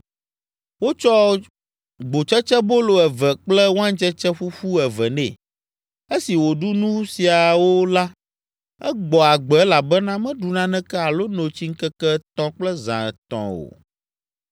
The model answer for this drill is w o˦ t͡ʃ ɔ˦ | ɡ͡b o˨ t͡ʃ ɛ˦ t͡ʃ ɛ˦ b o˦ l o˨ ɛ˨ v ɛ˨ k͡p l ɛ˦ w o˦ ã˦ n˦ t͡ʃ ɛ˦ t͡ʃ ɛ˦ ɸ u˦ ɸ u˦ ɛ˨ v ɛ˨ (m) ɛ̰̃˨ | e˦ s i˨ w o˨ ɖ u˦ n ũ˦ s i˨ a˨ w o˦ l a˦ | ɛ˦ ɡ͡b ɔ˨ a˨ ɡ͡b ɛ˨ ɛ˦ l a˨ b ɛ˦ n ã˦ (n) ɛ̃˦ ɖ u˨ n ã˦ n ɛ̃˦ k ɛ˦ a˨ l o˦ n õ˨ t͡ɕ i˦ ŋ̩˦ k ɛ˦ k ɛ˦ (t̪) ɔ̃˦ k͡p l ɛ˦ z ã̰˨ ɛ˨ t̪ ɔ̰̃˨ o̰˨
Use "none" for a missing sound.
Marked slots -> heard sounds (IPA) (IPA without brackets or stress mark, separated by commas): n, m, t̪